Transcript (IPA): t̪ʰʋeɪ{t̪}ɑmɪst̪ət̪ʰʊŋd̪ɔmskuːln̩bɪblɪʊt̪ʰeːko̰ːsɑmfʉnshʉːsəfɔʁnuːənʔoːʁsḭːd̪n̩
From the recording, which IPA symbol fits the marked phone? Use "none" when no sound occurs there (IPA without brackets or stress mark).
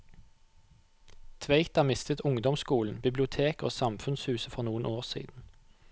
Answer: t̪